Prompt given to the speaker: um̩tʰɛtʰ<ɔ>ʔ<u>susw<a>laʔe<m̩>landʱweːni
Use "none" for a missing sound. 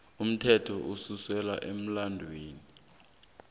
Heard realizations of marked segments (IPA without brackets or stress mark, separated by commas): ɔ, u, ɛ, m̩